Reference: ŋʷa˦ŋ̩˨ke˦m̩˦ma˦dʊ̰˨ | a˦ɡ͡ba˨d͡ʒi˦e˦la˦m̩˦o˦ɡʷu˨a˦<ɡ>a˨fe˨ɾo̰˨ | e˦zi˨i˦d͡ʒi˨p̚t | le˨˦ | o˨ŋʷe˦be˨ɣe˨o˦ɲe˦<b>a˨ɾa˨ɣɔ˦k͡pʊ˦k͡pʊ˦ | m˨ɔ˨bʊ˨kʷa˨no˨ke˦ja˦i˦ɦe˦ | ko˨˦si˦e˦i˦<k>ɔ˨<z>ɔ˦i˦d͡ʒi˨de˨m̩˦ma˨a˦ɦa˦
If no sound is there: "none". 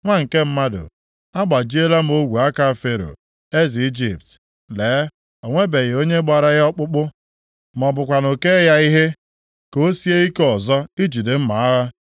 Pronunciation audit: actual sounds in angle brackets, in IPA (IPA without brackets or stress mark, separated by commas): k, ɡ͡b, k, z